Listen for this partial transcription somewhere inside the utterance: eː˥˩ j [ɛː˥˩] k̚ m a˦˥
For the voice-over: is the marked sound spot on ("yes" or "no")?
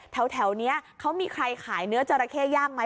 no